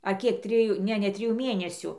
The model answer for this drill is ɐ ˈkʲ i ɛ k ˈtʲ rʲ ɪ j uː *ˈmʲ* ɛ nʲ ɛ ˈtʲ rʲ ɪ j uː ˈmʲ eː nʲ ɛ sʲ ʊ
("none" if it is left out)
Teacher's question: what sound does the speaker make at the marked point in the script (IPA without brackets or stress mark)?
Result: nʲ